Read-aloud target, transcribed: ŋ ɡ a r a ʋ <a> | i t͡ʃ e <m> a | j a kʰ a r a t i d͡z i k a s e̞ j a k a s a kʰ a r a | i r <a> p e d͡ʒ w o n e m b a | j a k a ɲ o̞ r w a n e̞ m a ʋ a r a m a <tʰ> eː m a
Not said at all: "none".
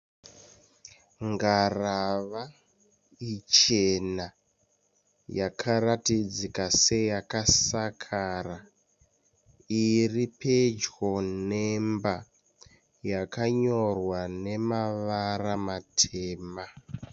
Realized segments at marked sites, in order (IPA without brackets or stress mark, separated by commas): a, n, i, tʰ